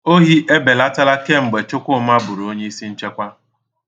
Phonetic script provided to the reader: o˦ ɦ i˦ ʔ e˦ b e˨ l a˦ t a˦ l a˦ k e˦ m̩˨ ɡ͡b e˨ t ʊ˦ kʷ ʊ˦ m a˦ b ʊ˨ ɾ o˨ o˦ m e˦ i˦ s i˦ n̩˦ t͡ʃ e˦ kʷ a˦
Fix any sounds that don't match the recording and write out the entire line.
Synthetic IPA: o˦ ɦ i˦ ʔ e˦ b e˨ l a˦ t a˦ l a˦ k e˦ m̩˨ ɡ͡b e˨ t͡ʃ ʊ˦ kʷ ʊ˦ m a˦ b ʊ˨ ɾ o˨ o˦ ɲ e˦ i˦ s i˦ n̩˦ t͡ʃ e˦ kʷ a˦

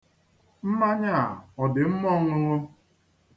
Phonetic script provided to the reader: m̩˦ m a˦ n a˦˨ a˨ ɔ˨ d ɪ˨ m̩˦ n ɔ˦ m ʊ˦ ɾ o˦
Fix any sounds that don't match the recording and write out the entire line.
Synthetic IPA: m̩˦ m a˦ ɲ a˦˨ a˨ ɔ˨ d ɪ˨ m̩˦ m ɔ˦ ŋ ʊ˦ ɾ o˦

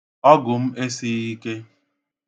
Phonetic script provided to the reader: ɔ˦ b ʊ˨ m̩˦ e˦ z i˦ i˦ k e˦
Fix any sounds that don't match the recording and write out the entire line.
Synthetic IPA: ɔ˦ ɡ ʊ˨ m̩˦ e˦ s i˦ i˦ k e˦

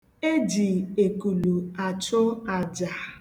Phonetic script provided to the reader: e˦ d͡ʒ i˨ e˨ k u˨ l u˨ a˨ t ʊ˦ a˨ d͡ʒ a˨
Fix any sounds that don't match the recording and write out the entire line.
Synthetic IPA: e˦ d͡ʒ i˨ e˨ k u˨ l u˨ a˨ t͡ʃ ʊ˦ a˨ d͡ʒ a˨

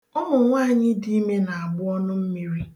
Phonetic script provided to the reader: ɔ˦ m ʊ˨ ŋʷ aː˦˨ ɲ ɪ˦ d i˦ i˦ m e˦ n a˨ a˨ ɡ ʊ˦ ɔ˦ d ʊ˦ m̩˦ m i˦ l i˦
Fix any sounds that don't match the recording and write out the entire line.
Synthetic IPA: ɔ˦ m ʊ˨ ŋʷ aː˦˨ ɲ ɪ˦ d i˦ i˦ m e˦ n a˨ a˨ ɡ͡b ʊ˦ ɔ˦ n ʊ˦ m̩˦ m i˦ ɾ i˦

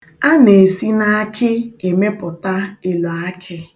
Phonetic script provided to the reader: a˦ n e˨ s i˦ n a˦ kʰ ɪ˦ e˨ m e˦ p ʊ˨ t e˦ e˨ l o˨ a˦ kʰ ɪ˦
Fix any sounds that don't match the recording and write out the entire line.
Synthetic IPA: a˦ n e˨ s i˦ n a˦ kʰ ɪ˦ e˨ m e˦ p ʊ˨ t a˦ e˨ l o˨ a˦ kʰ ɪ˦

